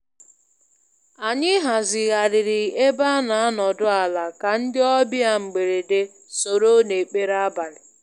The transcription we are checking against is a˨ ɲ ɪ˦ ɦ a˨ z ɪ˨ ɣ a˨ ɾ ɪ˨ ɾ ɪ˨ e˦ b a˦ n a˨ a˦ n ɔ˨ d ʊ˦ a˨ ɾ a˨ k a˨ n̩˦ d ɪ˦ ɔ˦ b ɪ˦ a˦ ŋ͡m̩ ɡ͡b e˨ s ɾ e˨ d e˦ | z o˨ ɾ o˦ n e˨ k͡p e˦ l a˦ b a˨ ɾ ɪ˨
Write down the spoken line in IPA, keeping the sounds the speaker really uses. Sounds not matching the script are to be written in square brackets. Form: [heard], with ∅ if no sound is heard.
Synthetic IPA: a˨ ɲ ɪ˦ ɦ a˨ z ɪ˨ ɣ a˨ ɾ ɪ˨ ɾ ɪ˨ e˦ b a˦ n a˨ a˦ n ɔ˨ d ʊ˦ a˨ [l] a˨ k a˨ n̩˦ d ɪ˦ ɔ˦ b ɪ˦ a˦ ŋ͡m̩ ɡ͡b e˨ [∅] ɾ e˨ d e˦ | [s] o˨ ɾ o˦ n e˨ k͡p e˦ [ɾ] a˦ b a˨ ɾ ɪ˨